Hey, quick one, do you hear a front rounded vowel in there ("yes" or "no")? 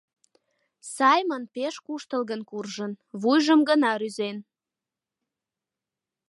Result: yes